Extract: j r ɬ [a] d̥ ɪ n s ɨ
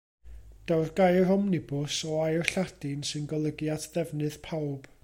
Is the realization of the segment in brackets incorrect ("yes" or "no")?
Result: no